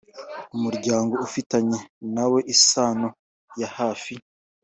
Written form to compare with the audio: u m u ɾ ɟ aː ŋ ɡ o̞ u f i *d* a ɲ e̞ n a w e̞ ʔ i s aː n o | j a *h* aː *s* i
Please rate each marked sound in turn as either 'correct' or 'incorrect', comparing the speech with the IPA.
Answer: incorrect, correct, incorrect

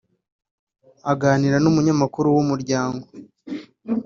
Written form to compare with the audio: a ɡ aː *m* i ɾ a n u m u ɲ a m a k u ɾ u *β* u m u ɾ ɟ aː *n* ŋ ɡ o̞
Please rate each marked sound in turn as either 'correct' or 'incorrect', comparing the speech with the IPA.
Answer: incorrect, incorrect, incorrect

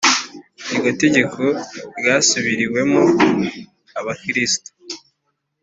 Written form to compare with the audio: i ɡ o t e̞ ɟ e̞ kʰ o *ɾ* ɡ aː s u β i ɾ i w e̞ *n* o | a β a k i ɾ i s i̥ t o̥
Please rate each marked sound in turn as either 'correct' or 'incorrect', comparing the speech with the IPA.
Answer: correct, incorrect

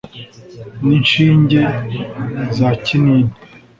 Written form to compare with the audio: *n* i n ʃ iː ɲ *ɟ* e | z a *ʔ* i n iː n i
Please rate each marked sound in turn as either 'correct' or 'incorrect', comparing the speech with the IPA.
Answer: correct, correct, incorrect

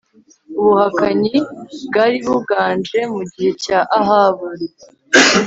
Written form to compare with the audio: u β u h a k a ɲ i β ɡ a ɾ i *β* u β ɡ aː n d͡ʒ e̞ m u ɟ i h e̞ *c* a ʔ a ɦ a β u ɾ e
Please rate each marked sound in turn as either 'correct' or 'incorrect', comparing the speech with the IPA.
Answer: correct, correct

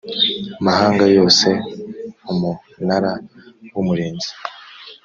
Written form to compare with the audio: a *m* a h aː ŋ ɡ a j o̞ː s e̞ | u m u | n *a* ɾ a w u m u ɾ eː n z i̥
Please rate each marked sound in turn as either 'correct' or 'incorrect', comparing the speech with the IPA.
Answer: correct, correct

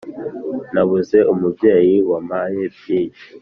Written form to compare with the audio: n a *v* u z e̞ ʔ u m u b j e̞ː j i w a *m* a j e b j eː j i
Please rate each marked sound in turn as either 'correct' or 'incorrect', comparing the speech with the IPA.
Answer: incorrect, correct

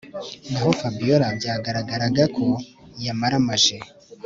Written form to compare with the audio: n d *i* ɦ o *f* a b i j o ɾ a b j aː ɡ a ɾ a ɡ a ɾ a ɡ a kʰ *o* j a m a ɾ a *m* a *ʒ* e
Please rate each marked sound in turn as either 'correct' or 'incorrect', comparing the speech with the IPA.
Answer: incorrect, correct, correct, correct, correct

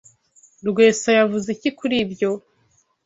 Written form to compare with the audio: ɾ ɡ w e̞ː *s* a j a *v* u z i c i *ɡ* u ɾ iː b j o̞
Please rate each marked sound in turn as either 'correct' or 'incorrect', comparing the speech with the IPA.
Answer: correct, correct, incorrect

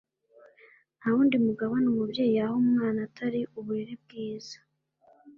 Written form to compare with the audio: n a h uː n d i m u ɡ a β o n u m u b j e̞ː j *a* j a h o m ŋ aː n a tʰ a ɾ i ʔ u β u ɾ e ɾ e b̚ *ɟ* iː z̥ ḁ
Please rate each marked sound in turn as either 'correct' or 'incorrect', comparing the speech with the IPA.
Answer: incorrect, incorrect

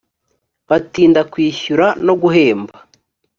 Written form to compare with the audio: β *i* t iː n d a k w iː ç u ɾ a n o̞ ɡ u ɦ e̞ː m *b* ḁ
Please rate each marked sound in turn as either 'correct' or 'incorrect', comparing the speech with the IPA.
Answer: incorrect, correct

